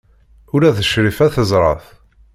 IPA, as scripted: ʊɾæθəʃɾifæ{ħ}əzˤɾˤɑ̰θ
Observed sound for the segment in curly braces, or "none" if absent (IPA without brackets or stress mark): θ